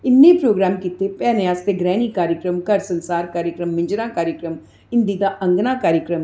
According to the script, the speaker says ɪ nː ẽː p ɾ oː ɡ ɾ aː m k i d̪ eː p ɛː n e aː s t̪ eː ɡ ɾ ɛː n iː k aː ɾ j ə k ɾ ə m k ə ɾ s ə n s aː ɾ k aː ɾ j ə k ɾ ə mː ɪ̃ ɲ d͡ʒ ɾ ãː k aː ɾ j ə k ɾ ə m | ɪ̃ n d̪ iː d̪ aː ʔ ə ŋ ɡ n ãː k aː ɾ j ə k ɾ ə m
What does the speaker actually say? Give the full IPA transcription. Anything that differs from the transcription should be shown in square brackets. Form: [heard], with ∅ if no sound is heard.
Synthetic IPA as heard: ɪ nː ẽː p ɾ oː ɡ ɾ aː m k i [t̪] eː p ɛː n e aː s t̪ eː ɡ ɾ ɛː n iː k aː ɾ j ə k ɾ ə m k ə ɾ s ə n s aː ɾ k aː ɾ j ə k ɾ ə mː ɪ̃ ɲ d͡ʒ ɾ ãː k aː ɾ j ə k ɾ ə m | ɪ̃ n d̪ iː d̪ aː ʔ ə ŋ ɡ n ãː k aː ɾ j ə k ɾ ə m